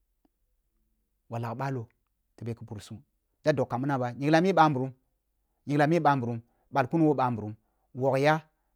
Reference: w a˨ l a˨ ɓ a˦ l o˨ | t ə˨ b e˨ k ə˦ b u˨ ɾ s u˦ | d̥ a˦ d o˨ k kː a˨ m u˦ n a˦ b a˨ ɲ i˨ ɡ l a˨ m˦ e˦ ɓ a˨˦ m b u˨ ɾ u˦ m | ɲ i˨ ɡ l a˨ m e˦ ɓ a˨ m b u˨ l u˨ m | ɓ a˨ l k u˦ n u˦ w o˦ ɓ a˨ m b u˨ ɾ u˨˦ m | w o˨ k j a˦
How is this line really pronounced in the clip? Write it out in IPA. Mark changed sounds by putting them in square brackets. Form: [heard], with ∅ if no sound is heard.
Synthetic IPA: w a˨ l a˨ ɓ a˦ l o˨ | t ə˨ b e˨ k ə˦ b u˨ ɾ s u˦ | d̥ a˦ d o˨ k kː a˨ m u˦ n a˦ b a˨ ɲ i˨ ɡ l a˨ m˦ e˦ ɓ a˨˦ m b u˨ ɾ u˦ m | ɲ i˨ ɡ l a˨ m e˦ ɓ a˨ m b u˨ [ɾ] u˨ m | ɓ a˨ l k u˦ n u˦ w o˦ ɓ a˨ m b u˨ ɾ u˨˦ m | w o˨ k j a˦